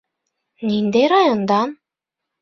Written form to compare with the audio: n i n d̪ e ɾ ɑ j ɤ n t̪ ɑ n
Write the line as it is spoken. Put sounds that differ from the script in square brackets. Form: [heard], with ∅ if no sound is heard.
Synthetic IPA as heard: n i n d̪ e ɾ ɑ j [o] n [d̪] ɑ n